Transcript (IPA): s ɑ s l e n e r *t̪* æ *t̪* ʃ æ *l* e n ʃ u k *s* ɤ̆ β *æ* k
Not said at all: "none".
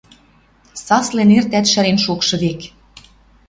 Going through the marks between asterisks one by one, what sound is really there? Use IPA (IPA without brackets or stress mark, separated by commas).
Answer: t̪, t̪, ɾ, ʃ, e